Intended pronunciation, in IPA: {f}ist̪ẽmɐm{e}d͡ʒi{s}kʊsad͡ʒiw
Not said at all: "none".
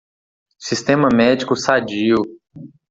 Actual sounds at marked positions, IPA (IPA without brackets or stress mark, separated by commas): s, ɛ, none